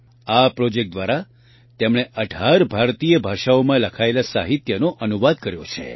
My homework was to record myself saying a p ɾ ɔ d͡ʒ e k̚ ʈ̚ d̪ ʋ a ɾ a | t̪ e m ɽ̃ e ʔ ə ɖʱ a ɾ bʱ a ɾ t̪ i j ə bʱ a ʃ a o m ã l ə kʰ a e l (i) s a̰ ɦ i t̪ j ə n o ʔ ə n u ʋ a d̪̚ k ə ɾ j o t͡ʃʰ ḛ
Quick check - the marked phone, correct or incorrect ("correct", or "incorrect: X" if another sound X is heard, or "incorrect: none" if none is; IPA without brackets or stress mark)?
incorrect: a